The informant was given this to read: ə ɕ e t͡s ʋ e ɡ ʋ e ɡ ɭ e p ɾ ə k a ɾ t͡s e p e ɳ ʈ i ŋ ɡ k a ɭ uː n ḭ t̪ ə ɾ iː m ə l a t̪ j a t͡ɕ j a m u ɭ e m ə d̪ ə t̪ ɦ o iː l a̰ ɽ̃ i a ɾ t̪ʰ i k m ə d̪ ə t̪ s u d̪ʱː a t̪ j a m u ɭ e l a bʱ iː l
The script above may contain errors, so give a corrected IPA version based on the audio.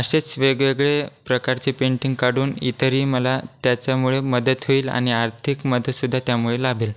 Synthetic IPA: ə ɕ e t͡s ʋ e ɡ ʋ e ɡ ɭ e p ɾ ə k a ɾ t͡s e p e ɳ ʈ i ŋ ɡ k a ɽ uː n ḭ t̪ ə ɾ iː m ə l a t̪ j a t͡ɕ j a m u ɭ e m ə d̪ ə t̪ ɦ o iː l a̰ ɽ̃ i a ɾ t̪ʰ i k m ə d̪ ə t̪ s u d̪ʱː a t̪ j a m u ɭ e l a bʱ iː l